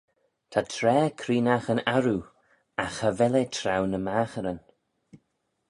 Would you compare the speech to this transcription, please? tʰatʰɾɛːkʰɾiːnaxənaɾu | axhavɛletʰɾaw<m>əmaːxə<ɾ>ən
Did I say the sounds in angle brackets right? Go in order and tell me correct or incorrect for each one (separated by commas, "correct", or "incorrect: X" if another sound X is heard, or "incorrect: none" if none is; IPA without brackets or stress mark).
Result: incorrect: n, correct